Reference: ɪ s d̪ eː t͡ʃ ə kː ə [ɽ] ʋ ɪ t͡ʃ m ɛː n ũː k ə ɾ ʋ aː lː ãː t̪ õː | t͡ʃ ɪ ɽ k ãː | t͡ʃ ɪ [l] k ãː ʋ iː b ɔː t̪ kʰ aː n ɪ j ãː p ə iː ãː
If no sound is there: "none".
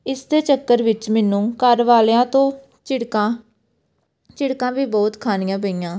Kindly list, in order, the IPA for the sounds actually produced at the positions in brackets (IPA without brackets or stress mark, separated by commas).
ɾ, ɽ